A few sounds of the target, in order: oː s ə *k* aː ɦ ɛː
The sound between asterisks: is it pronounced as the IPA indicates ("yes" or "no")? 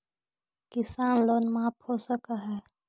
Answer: yes